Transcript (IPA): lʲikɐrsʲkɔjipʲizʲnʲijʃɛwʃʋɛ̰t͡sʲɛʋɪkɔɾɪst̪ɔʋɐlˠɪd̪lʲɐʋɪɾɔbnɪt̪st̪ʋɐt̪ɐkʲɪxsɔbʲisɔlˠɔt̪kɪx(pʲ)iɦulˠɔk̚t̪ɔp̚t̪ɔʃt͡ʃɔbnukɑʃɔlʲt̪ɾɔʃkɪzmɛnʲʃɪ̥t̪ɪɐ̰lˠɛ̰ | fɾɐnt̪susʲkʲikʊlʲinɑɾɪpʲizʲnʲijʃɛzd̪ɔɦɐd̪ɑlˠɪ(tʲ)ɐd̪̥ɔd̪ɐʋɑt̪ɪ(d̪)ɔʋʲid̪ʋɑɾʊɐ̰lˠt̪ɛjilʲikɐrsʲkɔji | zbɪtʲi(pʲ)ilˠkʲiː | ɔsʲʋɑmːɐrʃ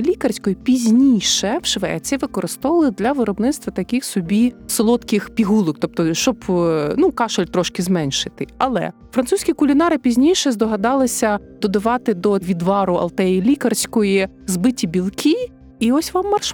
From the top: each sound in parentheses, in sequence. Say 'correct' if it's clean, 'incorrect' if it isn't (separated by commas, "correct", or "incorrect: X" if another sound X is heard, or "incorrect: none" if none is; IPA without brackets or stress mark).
correct, incorrect: sʲ, correct, incorrect: bʲ